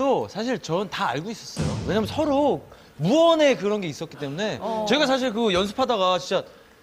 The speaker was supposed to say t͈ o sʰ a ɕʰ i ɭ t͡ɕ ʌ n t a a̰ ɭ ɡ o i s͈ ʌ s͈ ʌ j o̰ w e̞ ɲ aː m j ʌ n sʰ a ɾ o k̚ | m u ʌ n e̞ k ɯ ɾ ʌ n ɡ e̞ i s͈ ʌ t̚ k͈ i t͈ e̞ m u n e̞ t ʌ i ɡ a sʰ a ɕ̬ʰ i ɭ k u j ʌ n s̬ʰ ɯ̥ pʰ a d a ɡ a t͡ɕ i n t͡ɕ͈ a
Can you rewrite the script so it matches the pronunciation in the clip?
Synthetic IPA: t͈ o sʰ a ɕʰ i ɭ t͡ɕ ʌ n t a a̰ ɭ ɡ o i s͈ ʌ s͈ ʌ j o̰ w e̞ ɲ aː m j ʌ n sʰ ʌ ɾ o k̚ | m u ʌ n e̞ k ɯ ɾ ʌ n ɡ e̞ i s͈ ʌ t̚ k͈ i t͈ e̞ m u n e̞ t͡ɕ ʌ i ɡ a sʰ a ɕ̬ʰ i ɭ k ɯ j ʌ n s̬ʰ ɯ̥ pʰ a d a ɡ a t͡ɕ i n t͡ɕ͈ a